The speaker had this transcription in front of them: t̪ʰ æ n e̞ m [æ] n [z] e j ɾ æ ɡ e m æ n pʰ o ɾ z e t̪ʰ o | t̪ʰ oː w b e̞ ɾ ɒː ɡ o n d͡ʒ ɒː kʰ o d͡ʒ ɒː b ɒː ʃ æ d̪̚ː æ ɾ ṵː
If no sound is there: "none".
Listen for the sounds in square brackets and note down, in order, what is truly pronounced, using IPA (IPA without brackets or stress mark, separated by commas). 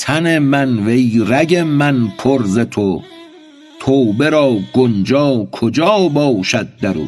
æ, v